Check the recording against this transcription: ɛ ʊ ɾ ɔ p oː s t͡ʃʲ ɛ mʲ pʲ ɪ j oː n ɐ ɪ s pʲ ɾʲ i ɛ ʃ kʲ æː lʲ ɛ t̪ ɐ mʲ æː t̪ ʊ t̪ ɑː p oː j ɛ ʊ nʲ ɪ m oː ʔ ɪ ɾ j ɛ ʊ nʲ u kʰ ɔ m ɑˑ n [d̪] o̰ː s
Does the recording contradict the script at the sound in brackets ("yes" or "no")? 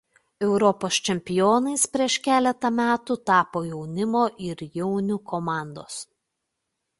no